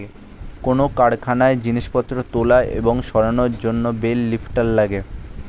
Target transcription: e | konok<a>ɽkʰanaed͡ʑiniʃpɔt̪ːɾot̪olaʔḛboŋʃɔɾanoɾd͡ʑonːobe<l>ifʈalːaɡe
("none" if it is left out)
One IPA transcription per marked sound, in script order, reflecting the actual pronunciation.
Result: a, lː

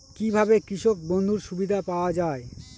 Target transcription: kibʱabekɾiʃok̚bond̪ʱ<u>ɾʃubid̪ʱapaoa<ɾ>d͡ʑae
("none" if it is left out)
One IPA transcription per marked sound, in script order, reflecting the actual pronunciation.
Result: u, none

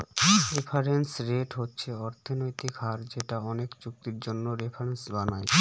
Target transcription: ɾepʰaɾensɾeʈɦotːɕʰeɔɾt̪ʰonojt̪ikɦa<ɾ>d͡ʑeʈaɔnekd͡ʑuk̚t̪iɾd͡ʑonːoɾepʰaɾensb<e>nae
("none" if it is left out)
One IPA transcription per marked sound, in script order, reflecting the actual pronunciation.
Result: ɾ, a

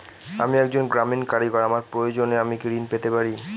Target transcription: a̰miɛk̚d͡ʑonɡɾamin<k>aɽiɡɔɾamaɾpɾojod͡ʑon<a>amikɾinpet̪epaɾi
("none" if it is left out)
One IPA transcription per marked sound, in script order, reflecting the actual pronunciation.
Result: k, e

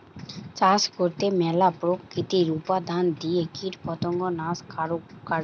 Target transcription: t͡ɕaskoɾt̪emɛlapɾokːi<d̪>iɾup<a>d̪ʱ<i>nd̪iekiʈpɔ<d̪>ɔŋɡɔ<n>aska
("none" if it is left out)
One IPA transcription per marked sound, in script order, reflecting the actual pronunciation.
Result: t̪, a, a, t̪, n

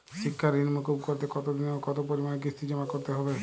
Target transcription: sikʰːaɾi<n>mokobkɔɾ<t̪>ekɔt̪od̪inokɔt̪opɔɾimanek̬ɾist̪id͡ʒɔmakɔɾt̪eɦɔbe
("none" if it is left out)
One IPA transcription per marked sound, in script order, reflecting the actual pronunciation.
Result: n, t̪

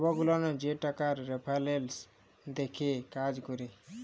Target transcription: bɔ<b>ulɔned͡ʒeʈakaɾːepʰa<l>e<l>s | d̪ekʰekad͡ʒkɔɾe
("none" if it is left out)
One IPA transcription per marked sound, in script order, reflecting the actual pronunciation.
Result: ɡ, l, l

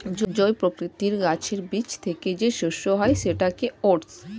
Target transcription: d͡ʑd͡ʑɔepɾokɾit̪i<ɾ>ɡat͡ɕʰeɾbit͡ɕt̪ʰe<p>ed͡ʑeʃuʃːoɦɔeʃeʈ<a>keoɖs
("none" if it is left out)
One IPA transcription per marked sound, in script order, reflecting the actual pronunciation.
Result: ɾ, k, a

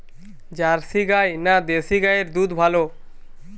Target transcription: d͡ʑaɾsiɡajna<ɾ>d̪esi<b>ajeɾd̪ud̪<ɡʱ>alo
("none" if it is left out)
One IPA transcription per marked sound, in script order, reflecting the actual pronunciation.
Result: none, ɡ, bʱ

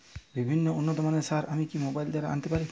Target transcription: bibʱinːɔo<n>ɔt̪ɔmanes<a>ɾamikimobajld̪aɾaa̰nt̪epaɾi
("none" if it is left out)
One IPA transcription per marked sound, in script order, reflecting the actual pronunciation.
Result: nː, a

